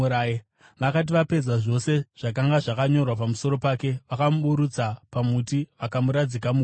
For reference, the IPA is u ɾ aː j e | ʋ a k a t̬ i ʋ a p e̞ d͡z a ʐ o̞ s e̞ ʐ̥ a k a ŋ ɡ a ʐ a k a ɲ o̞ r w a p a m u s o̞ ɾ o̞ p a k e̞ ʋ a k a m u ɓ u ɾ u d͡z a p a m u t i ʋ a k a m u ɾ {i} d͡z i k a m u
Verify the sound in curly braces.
incorrect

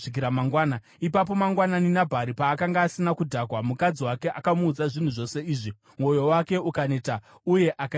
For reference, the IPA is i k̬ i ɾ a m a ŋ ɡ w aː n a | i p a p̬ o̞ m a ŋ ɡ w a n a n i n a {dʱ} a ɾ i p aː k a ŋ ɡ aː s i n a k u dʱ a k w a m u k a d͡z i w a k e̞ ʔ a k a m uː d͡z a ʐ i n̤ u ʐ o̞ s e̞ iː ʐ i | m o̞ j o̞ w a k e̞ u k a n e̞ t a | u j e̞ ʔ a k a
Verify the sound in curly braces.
incorrect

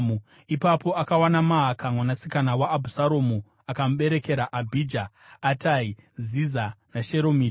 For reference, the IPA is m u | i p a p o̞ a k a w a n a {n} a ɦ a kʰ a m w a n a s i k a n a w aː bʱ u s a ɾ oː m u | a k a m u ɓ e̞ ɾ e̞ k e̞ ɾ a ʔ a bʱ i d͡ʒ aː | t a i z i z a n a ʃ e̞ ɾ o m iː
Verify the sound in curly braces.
incorrect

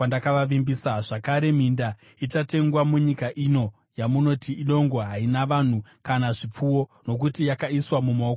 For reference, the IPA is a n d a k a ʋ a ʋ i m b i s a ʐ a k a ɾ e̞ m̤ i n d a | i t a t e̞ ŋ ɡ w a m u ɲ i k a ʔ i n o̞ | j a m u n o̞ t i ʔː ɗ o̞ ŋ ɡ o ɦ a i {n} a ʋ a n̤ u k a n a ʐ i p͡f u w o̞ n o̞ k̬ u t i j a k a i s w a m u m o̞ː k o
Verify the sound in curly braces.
correct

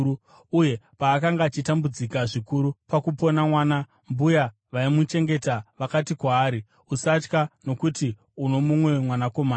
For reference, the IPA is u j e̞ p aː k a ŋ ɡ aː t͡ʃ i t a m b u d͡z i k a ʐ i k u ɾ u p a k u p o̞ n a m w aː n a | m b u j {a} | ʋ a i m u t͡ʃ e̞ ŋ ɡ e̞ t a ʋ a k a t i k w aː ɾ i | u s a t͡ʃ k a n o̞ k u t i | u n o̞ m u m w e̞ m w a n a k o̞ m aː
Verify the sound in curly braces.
correct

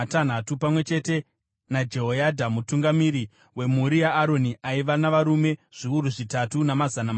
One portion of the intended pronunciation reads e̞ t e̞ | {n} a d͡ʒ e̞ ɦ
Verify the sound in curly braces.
correct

